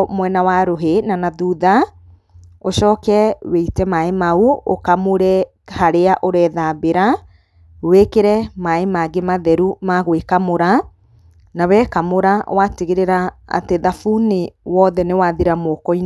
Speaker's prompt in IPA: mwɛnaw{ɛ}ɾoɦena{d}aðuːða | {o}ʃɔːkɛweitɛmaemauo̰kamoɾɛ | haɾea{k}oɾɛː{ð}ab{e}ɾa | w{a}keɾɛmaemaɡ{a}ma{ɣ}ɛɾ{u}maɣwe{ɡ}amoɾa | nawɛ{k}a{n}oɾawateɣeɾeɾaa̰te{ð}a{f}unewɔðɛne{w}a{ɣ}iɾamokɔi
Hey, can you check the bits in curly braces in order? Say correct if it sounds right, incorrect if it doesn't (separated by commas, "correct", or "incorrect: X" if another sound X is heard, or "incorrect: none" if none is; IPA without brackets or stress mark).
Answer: incorrect: a, incorrect: n, correct, incorrect: ʔ, correct, correct, incorrect: e, incorrect: e, incorrect: ð, correct, incorrect: k, correct, incorrect: m, correct, correct, correct, incorrect: ð